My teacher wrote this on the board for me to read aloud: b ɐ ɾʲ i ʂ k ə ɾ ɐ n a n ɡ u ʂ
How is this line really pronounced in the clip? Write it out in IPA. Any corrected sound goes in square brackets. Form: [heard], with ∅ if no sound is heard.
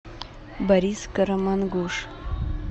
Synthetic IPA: b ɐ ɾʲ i [s] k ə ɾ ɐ [m] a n ɡ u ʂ